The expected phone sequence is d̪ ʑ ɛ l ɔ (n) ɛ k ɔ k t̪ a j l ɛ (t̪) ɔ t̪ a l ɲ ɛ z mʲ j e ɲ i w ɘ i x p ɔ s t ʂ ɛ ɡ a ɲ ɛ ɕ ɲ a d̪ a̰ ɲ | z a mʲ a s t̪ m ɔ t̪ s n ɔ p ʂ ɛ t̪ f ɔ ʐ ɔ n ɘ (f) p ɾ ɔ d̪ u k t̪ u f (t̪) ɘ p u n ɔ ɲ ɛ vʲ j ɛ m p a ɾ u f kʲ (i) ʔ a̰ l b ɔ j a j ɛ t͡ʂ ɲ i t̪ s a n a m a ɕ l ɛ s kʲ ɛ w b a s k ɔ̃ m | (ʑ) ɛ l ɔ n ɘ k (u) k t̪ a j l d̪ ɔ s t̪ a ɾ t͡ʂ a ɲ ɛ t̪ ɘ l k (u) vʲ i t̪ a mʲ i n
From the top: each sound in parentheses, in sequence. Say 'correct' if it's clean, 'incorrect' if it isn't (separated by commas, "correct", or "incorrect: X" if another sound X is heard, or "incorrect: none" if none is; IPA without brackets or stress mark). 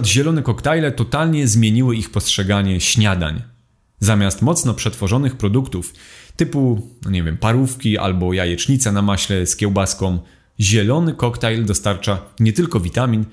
correct, correct, incorrect: x, correct, correct, correct, incorrect: ɔ, incorrect: ɔ